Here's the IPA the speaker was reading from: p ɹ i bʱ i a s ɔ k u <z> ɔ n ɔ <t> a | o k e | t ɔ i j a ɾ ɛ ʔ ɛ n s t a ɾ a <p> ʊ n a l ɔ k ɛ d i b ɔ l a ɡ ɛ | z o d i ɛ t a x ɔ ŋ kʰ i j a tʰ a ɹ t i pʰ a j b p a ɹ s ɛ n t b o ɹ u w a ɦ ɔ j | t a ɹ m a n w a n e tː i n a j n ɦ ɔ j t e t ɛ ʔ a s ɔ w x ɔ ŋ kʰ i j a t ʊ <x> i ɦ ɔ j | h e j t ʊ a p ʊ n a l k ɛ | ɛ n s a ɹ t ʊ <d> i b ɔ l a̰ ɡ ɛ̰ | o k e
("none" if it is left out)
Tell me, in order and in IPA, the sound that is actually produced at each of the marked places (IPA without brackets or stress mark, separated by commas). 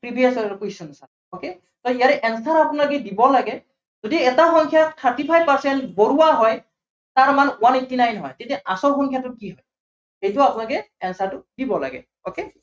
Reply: s, s, p, k, d